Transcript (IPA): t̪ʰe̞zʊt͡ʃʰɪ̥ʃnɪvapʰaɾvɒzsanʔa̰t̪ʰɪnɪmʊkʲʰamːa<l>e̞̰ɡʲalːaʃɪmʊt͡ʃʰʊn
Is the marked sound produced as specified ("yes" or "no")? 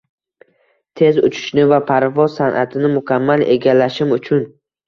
yes